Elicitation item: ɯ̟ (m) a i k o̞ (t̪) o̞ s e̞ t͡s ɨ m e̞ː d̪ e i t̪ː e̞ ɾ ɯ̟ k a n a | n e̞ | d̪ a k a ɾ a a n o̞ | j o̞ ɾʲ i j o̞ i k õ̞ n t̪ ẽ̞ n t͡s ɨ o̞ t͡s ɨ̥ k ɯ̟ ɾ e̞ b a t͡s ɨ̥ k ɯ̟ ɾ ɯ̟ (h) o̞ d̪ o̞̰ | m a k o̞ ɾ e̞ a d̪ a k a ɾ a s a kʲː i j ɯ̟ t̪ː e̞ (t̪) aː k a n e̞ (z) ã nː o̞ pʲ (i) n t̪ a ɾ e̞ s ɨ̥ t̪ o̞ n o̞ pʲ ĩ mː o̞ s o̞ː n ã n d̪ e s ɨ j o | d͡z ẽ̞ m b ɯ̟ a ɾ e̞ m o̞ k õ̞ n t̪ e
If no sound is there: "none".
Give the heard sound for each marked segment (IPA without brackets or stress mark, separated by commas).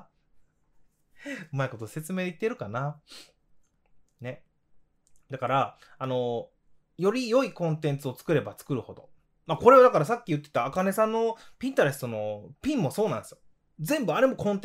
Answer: m, t̪, h, t̪, s, ĩ